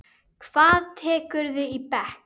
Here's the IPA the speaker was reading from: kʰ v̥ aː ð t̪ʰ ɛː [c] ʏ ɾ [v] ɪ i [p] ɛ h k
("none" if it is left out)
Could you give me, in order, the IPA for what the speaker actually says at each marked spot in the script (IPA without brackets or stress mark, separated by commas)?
k, ð, p